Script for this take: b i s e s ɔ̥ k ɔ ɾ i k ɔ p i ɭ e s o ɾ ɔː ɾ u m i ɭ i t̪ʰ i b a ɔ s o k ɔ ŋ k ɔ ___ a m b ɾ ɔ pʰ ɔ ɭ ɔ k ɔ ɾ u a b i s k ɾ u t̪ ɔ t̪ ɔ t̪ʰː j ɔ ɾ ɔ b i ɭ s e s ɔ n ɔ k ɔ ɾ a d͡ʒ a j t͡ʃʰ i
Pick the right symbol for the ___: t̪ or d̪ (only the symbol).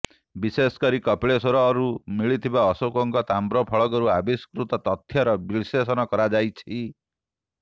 t̪